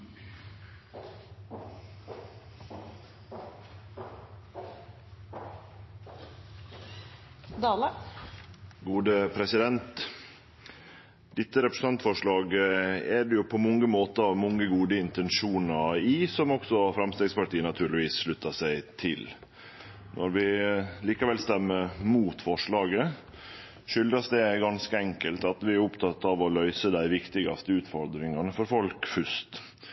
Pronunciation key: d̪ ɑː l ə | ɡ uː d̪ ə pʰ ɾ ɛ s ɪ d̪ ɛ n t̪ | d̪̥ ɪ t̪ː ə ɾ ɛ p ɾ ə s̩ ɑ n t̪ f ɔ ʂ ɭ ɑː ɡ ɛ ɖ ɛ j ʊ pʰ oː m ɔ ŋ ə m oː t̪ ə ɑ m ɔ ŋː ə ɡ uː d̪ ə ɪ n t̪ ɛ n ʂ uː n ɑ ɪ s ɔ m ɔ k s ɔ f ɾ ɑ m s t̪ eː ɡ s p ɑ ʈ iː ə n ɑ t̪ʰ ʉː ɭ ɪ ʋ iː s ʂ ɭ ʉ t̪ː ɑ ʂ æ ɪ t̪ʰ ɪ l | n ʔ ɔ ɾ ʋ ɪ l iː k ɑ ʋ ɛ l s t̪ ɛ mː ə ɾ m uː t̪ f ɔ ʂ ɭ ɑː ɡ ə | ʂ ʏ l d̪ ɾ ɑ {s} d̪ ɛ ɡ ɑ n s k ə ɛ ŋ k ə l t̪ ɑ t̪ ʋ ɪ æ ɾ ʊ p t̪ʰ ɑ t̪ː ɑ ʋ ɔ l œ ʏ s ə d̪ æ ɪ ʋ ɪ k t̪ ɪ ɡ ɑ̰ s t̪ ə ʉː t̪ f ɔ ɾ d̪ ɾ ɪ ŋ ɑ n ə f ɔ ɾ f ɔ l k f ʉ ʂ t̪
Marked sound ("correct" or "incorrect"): correct